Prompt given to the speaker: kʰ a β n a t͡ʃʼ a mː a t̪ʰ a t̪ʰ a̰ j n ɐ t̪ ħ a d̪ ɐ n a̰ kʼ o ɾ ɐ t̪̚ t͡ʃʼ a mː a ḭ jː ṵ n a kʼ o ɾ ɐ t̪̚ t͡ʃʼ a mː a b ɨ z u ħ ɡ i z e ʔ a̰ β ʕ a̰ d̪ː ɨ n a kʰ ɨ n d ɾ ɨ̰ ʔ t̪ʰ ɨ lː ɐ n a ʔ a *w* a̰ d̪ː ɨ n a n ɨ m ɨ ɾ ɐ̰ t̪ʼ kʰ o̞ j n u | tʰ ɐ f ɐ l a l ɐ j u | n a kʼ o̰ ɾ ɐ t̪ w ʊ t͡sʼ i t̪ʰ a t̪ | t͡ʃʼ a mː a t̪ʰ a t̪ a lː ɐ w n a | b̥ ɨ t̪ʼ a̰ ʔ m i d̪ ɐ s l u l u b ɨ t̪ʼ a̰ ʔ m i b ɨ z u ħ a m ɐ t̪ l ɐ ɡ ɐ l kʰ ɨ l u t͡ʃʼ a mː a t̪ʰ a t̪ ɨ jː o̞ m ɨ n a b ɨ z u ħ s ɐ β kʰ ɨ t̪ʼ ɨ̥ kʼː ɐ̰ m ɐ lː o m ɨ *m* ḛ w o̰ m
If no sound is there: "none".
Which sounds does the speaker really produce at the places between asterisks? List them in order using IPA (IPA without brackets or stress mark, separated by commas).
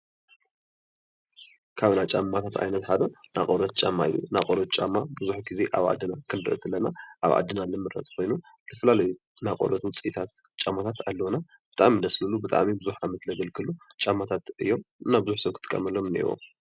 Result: β, n